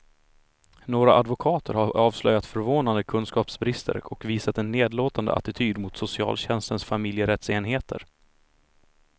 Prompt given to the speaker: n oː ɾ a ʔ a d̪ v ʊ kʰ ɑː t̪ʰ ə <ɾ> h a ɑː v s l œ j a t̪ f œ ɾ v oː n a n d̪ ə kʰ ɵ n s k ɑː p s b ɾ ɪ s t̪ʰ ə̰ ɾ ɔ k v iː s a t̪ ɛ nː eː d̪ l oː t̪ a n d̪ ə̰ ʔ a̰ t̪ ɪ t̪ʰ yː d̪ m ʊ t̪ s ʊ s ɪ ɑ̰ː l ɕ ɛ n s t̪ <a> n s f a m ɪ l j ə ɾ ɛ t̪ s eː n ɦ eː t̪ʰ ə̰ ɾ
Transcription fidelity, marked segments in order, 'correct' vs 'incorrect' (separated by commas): correct, incorrect